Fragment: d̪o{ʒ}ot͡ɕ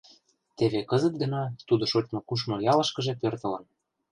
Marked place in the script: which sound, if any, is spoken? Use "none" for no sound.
ʃ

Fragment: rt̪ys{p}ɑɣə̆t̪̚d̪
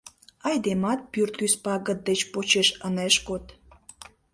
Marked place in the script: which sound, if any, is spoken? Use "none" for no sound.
p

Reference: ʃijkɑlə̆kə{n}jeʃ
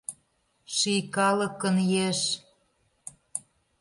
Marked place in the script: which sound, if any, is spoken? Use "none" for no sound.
n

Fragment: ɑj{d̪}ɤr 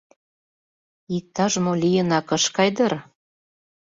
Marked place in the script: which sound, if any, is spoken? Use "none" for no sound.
d̪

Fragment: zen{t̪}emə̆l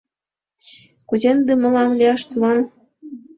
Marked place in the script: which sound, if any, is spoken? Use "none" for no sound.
d̪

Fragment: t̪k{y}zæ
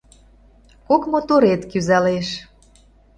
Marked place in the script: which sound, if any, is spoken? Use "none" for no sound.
y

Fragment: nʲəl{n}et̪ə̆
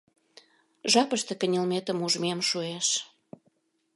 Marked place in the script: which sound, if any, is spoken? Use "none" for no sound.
m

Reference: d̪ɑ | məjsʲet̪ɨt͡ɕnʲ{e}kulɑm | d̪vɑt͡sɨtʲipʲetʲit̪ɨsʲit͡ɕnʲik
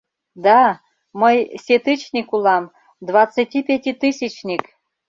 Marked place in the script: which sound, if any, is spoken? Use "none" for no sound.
i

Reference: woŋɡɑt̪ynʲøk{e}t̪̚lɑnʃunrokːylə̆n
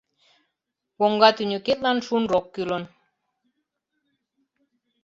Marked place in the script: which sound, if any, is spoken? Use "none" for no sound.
e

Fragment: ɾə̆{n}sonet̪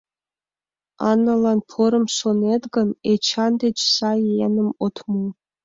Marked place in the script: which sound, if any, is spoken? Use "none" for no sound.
m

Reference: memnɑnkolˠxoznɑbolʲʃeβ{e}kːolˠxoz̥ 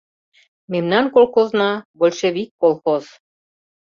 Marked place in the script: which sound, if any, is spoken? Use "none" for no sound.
i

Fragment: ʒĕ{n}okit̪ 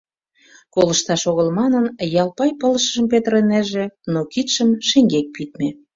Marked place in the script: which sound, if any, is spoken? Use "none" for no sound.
n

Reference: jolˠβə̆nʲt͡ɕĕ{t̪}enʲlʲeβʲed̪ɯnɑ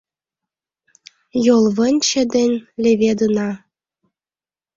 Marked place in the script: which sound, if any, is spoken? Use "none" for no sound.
d̪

